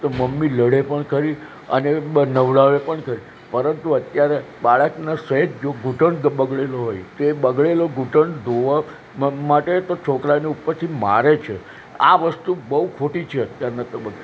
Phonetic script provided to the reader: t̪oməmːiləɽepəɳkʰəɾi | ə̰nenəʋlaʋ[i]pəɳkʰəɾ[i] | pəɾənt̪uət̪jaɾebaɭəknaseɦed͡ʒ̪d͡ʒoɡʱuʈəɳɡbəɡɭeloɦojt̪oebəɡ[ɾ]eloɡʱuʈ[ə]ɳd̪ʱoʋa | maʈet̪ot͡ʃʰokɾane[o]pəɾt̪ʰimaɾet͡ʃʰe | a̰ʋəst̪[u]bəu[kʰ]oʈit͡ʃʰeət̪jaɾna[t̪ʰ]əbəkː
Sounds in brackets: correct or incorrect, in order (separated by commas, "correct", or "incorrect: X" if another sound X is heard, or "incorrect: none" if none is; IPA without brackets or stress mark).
incorrect: e, correct, incorrect: ɭ, correct, incorrect: u, correct, correct, incorrect: t̪